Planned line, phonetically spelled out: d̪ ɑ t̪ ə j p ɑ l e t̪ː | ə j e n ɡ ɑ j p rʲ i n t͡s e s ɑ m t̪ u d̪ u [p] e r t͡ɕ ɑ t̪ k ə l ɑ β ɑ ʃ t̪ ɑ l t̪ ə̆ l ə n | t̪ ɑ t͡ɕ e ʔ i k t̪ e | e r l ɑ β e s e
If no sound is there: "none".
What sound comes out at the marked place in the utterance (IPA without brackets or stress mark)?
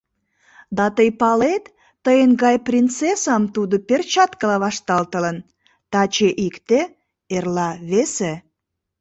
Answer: p